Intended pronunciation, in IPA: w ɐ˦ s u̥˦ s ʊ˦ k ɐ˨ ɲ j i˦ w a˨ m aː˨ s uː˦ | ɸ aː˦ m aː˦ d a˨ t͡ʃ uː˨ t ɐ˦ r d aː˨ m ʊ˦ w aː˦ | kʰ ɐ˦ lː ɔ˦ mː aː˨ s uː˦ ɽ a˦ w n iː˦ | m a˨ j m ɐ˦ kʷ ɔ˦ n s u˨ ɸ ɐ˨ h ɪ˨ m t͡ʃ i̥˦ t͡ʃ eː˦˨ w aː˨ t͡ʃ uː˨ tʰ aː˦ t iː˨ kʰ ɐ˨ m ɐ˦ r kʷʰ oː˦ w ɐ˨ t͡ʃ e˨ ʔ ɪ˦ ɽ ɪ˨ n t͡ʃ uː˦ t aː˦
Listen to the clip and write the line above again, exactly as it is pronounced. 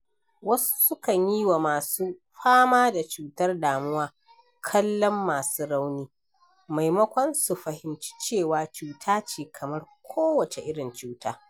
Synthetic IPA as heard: w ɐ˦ s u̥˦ s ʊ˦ k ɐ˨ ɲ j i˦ w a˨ m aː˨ s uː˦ | ɸ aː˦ m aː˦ d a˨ t͡ʃ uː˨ t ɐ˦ r d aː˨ m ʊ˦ w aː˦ | kʰ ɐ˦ lː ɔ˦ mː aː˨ s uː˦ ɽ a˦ w n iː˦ | m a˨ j m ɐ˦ kʷ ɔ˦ n s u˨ ɸ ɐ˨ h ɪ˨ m t͡ʃ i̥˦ t͡ʃ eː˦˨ w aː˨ t͡ʃ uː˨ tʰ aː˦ t͡ʃ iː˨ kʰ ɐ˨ m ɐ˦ r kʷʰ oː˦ w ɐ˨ t͡ʃ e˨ ʔ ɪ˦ ɽ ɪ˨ n t͡ʃ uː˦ t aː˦